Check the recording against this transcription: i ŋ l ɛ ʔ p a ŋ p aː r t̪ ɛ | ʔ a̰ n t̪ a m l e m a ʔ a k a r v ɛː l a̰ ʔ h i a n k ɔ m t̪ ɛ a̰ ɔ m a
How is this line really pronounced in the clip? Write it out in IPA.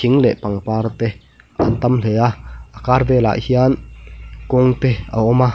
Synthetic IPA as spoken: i ŋ l ɛ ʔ p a ŋ p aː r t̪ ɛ | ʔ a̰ n t̪ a m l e a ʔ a k a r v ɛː l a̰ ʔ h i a n k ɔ ŋ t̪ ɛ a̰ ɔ m a